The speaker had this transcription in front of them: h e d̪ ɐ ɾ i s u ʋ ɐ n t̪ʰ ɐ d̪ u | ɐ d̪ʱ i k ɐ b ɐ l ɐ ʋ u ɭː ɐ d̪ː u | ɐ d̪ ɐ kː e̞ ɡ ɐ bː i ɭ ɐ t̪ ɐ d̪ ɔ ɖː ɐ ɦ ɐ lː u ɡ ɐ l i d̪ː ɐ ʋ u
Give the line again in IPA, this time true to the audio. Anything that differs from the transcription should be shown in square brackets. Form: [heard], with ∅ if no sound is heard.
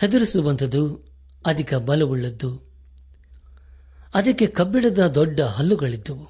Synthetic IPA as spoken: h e d̪ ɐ ɾ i s u ʋ ɐ n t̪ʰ ɐ d̪ u | ɐ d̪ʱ i k ɐ b ɐ l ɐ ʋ u ɭː ɐ d̪ː u | ɐ d̪ ɐ kː e̞ [k] ɐ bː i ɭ ɐ [d̪] ɐ d̪ ɔ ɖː ɐ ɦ ɐ lː u ɡ ɐ [ɭ] i d̪ː ɐ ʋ u